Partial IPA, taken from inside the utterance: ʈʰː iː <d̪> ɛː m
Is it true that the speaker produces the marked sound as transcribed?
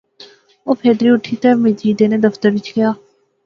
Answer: no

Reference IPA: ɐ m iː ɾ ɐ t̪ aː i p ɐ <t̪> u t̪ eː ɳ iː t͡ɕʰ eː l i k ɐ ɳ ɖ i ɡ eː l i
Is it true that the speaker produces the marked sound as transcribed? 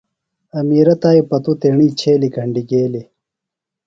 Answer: yes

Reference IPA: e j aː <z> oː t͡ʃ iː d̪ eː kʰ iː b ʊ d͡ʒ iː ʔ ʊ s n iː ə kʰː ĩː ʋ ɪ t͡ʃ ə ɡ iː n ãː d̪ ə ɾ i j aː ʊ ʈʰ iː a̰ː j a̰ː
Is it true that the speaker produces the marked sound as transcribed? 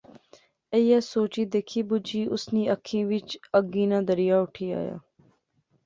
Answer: no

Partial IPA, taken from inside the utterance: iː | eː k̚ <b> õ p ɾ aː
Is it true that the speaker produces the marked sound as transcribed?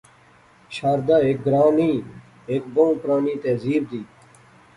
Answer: yes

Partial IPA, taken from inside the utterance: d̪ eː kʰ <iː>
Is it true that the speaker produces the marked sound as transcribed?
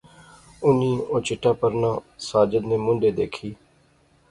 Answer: yes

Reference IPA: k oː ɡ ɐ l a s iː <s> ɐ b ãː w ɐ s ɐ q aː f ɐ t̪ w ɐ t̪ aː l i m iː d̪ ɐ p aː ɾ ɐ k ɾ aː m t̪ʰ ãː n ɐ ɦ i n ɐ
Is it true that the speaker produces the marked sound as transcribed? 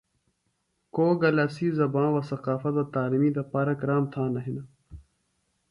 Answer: no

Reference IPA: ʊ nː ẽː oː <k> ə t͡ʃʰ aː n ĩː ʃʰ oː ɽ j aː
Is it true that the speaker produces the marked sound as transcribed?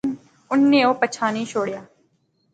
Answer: no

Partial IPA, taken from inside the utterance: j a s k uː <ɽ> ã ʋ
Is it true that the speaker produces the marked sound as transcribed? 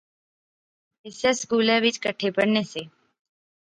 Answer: no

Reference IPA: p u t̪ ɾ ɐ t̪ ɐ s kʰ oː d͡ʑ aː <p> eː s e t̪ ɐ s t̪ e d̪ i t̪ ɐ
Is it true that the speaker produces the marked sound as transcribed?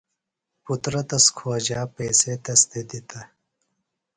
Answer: yes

